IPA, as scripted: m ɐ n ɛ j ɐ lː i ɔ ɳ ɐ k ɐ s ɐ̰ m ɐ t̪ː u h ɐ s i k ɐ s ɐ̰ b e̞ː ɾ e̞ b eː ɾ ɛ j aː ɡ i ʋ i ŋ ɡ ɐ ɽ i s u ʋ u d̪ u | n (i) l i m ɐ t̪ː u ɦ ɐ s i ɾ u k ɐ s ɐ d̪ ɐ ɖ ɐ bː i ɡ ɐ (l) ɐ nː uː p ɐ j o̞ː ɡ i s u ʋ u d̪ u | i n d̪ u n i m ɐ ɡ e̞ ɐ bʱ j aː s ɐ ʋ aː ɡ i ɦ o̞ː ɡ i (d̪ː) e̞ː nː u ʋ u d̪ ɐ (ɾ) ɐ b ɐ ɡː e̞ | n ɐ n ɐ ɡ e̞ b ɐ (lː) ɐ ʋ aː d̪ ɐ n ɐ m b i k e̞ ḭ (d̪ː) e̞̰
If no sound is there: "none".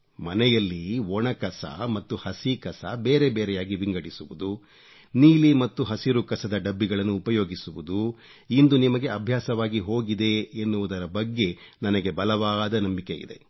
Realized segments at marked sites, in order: iː, ɭ, d̪, ɾ, l, d̪

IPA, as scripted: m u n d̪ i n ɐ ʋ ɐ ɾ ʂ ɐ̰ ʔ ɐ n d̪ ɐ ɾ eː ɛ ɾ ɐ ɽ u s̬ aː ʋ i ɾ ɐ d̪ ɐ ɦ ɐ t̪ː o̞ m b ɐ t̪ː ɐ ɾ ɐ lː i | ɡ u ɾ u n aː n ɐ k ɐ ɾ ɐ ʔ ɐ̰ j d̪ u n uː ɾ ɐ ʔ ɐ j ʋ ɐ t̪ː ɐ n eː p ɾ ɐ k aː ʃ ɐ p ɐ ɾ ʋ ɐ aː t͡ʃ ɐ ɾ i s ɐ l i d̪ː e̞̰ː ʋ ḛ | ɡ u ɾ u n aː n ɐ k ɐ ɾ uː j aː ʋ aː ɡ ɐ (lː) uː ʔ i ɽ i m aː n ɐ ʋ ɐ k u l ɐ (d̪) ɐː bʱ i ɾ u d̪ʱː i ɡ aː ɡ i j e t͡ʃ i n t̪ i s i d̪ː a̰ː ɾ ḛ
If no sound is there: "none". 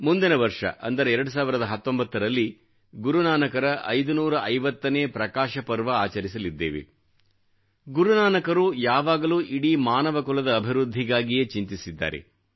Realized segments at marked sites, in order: l, d̪

